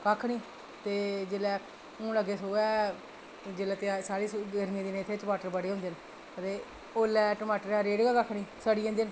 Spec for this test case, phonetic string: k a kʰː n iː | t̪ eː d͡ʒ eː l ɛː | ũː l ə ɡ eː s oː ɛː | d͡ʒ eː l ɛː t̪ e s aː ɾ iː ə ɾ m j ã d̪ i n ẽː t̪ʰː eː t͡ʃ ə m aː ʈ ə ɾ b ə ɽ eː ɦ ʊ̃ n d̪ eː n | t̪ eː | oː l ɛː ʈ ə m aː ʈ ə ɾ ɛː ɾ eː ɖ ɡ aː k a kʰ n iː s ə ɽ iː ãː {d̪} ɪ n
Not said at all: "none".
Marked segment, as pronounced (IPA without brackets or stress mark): d̪